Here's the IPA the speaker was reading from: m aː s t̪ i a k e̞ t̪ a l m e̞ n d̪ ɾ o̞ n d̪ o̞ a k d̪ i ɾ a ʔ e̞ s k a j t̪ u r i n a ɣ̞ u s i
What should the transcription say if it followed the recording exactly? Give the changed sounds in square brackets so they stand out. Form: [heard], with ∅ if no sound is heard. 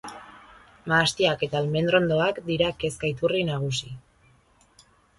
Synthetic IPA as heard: m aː s t̪ i a k e̞ t̪ a l m e̞ n d̪ ɾ o̞ n d̪ o̞ a k d̪ i ɾ a [k] e̞ s k a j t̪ u r i n a ɣ̞ u s i

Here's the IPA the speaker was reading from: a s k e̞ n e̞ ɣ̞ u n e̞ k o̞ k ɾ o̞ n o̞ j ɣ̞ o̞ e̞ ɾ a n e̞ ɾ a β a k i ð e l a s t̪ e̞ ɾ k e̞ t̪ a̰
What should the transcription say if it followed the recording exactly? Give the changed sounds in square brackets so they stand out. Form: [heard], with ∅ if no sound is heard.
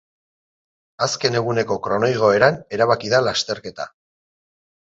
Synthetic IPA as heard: a s k e̞ n e̞ ɣ̞ u n e̞ k o̞ k ɾ o̞ n o̞ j ɣ̞ o̞ e̞ ɾ a n e̞ ɾ a β a k i ð [a] l a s t̪ e̞ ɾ k e̞ t̪ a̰

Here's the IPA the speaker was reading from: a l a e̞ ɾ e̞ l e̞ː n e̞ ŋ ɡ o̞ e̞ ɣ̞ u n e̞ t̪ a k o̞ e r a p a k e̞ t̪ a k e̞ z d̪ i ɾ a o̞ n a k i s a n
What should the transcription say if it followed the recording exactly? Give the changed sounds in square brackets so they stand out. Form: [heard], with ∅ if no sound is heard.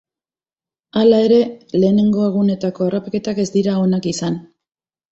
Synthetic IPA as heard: a l a e̞ ɾ e̞ l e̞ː n e̞ ŋ ɡ o̞ e̞ ɣ̞ u n e̞ t̪ a k o̞ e r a p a k e̞ t̪ a k e̞ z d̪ i ɾ a o̞ n a k i s a n

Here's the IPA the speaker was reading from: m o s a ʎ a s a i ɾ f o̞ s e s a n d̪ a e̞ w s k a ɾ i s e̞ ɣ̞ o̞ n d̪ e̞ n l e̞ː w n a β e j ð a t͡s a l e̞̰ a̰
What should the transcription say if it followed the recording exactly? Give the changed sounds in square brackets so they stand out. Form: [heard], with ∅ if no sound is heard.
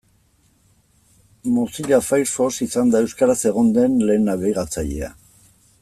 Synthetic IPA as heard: m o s [i] ʎ a [f] a [j] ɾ f o̞ s [i] s a n d̪ a e̞ w s k a ɾ [a] s e̞ ɣ̞ o̞ n d̪ e̞ n l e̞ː [∅] n a β e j [ɣ] a t͡s a [ʎ] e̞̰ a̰

